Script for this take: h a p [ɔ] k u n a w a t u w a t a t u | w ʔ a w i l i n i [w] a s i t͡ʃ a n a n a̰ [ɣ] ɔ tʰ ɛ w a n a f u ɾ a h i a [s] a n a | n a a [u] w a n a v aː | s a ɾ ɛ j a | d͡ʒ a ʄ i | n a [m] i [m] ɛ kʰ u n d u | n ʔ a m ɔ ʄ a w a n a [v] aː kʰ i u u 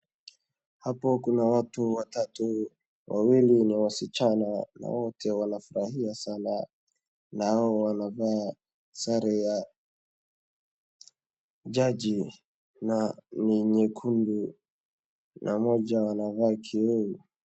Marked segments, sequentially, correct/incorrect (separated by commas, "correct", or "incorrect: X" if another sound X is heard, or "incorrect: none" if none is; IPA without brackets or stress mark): correct, correct, incorrect: w, correct, incorrect: ɔ, incorrect: n, incorrect: ɲ, correct